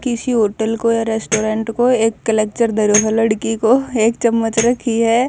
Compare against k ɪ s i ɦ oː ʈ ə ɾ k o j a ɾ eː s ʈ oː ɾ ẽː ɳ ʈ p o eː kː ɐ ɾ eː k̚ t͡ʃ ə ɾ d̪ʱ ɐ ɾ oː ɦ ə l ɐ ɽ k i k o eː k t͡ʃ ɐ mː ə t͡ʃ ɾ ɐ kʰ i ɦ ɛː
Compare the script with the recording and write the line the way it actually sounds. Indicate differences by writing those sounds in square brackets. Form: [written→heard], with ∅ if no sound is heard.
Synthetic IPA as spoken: k ɪ s i ɦ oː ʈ ə [ɾ→l] k o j a ɾ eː s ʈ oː ɾ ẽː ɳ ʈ [p→k] o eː kː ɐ [ɾ→l] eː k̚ t͡ʃ ə ɾ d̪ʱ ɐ ɾ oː ɦ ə l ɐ ɽ k i k o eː k t͡ʃ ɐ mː ə t͡ʃ ɾ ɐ kʰ i ɦ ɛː